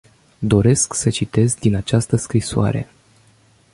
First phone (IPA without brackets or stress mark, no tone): d̪